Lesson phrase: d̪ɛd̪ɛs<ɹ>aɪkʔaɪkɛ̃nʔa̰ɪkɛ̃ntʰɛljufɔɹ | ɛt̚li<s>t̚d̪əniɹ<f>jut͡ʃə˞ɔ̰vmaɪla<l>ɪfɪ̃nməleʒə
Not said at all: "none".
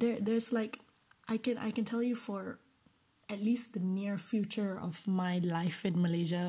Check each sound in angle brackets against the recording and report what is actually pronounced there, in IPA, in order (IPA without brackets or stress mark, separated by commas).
l, s, f, none